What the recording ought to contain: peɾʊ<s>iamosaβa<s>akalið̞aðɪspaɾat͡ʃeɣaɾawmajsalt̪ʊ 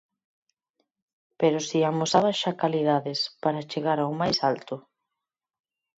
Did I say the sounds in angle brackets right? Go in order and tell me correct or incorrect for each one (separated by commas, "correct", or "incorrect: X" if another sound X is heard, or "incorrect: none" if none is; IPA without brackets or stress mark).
correct, incorrect: ʃ